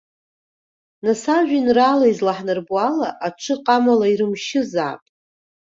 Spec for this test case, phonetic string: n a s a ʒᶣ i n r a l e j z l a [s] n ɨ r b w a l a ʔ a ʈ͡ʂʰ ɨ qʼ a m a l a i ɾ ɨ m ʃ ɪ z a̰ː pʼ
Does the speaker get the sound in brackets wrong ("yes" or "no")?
yes